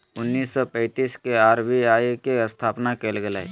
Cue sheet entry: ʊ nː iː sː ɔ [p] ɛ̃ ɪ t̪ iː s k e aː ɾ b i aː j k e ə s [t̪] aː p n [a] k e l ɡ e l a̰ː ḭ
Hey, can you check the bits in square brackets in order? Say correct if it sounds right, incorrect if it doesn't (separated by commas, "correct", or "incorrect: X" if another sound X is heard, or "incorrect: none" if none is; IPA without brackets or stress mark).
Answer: correct, incorrect: t̪ʰ, correct